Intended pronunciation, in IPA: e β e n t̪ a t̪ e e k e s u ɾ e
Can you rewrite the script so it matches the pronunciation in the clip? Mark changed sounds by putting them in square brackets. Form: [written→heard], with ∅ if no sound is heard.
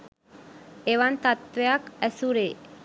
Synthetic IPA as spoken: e β [e→a] n t̪ a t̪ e [e→a] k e s u ɾ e